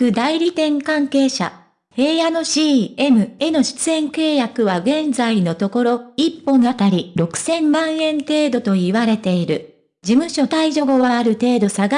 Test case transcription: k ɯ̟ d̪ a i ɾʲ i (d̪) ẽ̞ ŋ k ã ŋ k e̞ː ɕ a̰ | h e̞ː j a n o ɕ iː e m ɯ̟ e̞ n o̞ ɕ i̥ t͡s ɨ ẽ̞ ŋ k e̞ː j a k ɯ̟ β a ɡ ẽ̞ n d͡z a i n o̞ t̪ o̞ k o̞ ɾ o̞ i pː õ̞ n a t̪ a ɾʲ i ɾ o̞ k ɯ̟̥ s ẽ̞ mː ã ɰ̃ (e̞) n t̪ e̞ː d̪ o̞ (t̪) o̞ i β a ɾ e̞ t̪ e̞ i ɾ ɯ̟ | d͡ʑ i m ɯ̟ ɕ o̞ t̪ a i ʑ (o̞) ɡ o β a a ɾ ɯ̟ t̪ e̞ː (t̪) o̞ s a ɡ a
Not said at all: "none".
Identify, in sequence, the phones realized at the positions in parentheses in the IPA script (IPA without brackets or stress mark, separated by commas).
t̪, ẽ̞, t̪, o̞, d̪